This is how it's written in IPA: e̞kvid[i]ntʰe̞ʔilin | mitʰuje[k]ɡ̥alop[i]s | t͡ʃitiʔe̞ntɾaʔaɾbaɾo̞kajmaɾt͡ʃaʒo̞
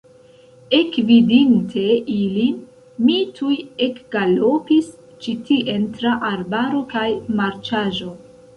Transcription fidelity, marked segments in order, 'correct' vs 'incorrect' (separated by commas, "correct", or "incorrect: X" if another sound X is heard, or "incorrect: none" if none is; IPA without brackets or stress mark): correct, correct, correct